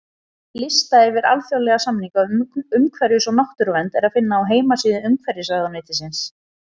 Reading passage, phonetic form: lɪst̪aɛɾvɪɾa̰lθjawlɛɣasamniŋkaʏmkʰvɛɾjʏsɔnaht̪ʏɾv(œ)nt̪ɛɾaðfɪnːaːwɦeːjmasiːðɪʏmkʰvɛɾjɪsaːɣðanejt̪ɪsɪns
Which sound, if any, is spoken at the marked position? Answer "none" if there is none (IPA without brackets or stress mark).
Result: ɛ